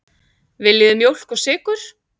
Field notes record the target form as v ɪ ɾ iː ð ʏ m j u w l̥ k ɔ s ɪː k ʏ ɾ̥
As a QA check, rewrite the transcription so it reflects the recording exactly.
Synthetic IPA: v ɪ l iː ð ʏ m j o w l̥ k ɔ s ɪː k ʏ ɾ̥